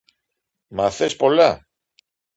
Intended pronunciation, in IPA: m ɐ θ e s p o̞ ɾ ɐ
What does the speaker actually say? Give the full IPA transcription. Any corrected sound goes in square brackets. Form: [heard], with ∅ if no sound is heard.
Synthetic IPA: m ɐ θ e s p o̞ [l] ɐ